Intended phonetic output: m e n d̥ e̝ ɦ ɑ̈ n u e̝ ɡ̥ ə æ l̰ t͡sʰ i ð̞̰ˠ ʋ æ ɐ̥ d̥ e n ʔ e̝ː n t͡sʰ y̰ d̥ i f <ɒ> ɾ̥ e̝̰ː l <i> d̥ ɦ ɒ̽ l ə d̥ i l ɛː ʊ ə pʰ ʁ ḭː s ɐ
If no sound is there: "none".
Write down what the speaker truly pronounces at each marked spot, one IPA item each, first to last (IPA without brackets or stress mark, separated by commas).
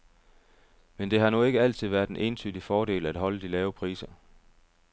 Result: ɒː, æ